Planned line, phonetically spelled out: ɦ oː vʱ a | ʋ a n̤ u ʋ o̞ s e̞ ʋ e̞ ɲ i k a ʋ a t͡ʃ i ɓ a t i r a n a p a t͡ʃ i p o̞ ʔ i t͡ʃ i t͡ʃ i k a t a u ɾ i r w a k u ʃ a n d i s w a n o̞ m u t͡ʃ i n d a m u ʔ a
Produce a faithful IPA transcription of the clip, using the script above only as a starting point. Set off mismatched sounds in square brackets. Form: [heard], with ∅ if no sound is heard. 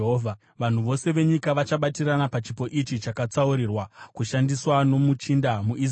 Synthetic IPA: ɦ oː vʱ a | ʋ a n̤ u ʋ o̞ s e̞ ʋ e̞ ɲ i k a ʋ a t͡ʃ [a] ɓ a t i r a n a p a t͡ʃ i p o̞ ʔ i t͡ʃ i t͡ʃ [a] k a [t͡s] a u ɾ i r w a k u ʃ a n d i s w a n o̞ m u t͡ʃ i n d a m u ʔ [i]